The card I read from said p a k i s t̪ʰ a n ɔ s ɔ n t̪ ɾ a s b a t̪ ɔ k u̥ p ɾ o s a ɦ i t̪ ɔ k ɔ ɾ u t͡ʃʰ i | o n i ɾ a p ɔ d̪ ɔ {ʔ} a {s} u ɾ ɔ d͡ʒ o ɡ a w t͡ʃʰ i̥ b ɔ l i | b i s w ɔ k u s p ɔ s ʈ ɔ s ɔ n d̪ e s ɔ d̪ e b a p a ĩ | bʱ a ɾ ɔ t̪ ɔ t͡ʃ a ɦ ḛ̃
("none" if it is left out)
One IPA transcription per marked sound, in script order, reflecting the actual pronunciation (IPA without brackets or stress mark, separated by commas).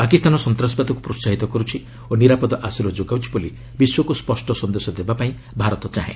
ʔ, s